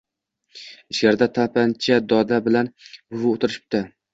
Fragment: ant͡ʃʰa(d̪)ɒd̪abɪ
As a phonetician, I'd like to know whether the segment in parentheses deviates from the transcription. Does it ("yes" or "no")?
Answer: no